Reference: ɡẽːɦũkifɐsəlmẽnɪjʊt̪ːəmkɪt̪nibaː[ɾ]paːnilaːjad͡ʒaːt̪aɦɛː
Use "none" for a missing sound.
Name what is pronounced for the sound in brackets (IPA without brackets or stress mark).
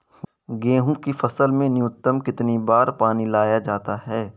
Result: ɾ